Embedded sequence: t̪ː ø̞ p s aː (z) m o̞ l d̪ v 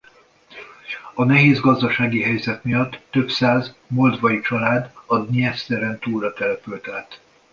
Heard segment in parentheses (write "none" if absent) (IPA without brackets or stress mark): z